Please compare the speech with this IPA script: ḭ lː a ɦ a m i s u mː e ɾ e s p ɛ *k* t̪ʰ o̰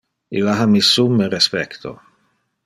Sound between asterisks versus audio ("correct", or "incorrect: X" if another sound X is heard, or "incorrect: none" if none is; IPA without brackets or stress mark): correct